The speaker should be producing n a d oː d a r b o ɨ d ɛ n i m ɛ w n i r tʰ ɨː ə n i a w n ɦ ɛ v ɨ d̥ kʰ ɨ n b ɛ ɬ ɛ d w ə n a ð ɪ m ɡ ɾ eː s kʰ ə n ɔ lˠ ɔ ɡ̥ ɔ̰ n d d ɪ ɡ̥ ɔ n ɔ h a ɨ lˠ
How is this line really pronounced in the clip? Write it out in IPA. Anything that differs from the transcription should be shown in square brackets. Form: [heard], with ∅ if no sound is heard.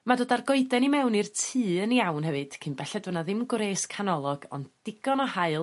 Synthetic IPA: [m] a d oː d a r [ɡ] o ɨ d ɛ n i m ɛ w n i r tʰ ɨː ə n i a w n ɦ ɛ v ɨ d̥ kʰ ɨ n b ɛ ɬ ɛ d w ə n a ð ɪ m ɡ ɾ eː s kʰ [a] n ɔ lˠ ɔ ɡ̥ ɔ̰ n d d ɪ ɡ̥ ɔ n ɔ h a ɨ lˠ